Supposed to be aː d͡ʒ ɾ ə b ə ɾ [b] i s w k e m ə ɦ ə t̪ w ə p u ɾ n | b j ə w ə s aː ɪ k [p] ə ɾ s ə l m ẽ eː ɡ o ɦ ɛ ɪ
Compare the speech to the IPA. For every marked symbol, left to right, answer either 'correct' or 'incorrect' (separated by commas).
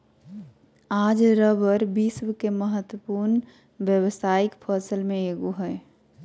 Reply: correct, incorrect